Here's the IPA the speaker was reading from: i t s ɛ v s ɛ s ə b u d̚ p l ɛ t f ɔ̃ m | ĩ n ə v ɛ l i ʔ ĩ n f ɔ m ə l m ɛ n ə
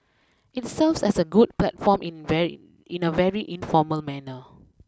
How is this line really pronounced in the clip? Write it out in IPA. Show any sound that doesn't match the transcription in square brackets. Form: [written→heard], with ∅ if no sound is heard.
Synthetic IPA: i t s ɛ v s ɛ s ə [b→ɡ] u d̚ p l ɛ t f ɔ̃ m | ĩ n ə v ɛ [l→ɹ] i ʔ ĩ n f ɔ m ə l m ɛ n ə